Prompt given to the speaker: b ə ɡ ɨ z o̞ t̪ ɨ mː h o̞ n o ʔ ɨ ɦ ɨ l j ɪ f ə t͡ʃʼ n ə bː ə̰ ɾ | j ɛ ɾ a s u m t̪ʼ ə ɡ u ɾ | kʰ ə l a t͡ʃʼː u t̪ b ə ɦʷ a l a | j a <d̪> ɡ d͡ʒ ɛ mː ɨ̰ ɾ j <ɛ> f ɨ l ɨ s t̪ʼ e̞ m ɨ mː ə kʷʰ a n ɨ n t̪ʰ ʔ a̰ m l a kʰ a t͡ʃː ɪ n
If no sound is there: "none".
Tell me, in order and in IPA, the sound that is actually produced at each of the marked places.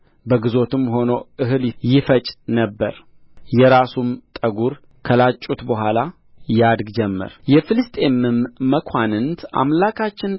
d̪, ɛ

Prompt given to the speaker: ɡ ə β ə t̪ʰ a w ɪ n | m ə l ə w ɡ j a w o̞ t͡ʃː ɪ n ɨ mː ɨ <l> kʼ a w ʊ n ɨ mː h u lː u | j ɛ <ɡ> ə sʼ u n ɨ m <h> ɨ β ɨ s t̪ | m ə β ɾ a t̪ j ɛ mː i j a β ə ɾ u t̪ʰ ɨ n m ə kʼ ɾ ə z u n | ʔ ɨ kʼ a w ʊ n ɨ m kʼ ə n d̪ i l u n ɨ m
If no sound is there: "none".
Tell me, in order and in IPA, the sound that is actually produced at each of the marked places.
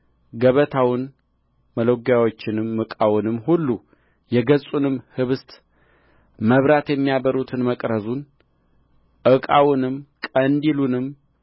none, ɡ, h

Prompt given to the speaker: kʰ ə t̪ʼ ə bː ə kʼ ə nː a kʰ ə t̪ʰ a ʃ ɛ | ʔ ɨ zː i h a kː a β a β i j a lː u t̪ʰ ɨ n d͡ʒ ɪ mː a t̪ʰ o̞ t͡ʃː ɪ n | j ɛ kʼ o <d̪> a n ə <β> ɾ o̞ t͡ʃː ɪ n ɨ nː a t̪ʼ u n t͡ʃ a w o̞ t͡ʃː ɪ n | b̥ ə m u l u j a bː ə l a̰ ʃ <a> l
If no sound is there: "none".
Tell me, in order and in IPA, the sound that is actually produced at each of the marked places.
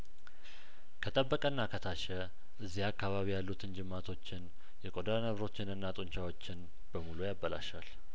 d̪, β, a

